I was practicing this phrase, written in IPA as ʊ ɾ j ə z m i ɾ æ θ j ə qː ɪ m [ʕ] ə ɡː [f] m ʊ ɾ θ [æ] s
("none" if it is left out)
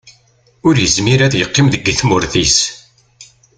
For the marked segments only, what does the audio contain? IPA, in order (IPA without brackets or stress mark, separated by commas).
ð, θ, i